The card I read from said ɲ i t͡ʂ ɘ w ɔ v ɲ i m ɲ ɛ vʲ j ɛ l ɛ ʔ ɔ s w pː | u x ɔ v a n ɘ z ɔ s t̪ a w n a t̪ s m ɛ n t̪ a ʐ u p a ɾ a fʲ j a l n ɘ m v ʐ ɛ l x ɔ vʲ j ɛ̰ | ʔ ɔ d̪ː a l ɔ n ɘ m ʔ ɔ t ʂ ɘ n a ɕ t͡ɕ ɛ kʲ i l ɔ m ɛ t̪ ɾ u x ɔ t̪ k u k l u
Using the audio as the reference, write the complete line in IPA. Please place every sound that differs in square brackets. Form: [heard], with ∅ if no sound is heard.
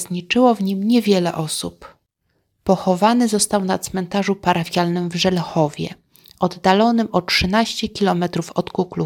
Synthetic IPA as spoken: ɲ i t͡ʂ ɘ w ɔ v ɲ i m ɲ ɛ vʲ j ɛ l ɛ ʔ ɔ s [u] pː | [ɔ] x ɔ v a n ɘ z ɔ s t̪ a w n a t̪ s m ɛ n t̪ a ʐ u p a ɾ a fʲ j a l n ɘ m v ʐ ɛ l x ɔ vʲ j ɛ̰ | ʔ ɔ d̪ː a l ɔ n ɘ m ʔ ɔ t ʂ ɘ n a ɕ t͡ɕ ɛ kʲ i l ɔ m ɛ t̪ ɾ u [f] ɔ t̪ k u k l u